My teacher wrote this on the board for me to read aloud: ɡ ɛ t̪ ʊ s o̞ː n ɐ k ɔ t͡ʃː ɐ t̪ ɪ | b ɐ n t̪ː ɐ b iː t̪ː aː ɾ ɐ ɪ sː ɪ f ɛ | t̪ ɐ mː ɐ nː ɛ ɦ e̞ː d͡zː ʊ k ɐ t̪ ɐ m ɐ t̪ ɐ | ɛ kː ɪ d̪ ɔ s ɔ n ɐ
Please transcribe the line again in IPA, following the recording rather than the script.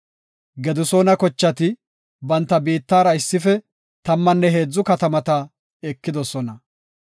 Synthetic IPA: ɡ ɛ d̪ ʊ s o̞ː n ɐ k ɔ t͡ʃː ɐ t̪ ɪ | b ɐ n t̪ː ɐ b iː t̪ː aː ɾ ɐ ɪ sː ɪ f ɛ | t̪ ɐ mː ɐ nː ɛ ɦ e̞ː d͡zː ʊ k ɐ t̪ ɐ m ɐ t̪ ɐ | ɛ kː ɪ d̪ ɔ s ɔ n ɐ